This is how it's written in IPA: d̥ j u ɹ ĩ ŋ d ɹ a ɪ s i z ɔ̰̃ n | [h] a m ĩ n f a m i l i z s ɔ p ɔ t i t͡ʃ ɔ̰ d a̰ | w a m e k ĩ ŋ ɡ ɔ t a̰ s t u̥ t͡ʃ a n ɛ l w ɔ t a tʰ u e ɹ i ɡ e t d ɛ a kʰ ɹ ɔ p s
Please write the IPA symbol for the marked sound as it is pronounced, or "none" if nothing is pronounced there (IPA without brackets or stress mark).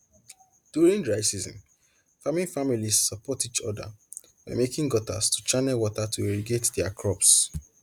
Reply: f